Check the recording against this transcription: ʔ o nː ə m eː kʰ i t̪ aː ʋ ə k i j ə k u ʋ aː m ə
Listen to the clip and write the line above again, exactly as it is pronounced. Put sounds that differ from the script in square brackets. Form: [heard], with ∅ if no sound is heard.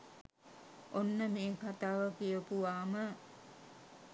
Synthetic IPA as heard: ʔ o nː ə m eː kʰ [a] t̪ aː ʋ ə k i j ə [p] u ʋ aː m ə